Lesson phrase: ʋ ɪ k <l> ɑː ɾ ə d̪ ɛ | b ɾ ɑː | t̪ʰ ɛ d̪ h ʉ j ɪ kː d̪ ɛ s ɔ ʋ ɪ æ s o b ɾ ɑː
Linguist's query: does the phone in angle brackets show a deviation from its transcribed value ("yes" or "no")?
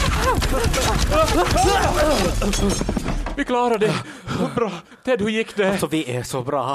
no